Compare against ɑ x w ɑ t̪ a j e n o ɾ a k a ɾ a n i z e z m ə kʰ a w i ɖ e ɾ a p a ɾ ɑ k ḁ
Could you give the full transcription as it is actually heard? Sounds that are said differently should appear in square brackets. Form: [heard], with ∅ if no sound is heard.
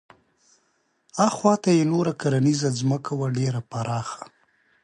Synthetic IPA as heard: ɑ x w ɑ t̪ a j e n o ɾ a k a ɾ a n i z [a] z m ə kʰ a w [a] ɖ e ɾ a p a ɾ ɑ [x] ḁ

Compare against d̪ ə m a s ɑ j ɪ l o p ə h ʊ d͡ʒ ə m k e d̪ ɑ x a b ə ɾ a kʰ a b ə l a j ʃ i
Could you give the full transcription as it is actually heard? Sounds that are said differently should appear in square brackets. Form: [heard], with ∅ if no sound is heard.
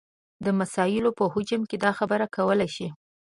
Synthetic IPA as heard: d̪ ə m a s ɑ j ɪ l o p ə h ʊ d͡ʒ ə m k e d̪ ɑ x a b ə ɾ a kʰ a [w] ə l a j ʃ i

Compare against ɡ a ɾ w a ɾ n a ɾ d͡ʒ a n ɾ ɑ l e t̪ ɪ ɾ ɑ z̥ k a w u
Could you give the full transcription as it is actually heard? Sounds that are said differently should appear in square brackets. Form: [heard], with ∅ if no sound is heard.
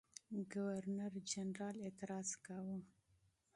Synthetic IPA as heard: ɡ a [∅] w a ɾ n a ɾ d͡ʒ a n ɾ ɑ l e t̪ ɪ ɾ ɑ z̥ k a w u

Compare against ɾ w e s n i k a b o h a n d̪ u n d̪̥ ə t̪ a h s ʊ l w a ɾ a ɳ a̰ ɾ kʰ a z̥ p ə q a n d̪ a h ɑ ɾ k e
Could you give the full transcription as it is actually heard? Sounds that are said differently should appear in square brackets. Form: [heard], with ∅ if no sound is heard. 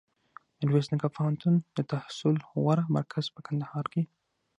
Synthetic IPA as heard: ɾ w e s n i k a [p] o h a n [t̪] u n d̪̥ ə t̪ a h s ʊ l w a ɾ a [m] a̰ ɾ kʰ a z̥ p ə [k] a n d̪ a h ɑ ɾ k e

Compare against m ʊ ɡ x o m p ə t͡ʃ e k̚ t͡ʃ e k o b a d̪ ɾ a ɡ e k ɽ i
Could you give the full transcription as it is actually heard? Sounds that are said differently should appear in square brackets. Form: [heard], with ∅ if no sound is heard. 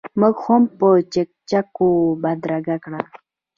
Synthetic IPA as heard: m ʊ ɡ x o m p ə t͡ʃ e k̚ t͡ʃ [a] k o b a d̪ ɾ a ɡ [a] k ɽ [a]

